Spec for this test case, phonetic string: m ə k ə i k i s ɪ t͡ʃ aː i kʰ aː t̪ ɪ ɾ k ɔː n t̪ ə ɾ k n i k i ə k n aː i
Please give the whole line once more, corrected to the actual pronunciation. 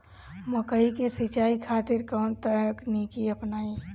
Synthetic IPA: m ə k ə i k e s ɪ t͡ʃ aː i kʰ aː t̪ ɪ ɾ k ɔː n t̪ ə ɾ k n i k i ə p n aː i

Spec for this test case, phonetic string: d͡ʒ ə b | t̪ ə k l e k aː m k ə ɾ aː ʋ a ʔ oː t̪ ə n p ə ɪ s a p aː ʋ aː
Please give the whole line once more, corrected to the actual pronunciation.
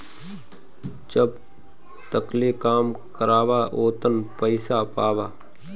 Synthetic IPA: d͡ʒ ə b | t̪ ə k l e k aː m k ə ɾ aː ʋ a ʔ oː t̪ ə n p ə ɪ s a p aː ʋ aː

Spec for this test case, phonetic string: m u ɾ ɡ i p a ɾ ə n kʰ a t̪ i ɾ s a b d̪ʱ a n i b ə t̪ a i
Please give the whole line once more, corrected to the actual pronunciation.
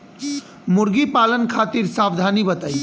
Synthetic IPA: m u ɾ ɡ i p a l ə n kʰ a t̪ i ɾ s a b d̪ʱ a n i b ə t̪ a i

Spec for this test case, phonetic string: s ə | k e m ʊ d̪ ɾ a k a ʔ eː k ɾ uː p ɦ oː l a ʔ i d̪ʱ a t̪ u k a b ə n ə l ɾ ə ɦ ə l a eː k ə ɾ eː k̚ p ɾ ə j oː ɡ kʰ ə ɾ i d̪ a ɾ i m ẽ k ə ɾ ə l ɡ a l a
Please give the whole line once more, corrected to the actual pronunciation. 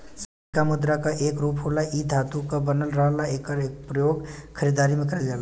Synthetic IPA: s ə | k a m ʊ d̪ ɾ a k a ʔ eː k ɾ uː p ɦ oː l a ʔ i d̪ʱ a t̪ u k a b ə n ə l ɾ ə ɦ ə l a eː k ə ɾ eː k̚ p ɾ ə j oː ɡ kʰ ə ɾ i d̪ a ɾ i m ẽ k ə ɾ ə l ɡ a l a

